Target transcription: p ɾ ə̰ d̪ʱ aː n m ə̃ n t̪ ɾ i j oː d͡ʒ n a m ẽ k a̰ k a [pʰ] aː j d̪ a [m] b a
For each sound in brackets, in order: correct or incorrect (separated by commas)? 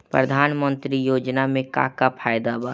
correct, incorrect